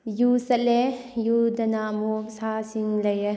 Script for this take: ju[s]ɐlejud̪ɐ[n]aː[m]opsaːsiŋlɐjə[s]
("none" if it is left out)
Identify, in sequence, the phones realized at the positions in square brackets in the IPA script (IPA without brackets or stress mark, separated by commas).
s, n, m, none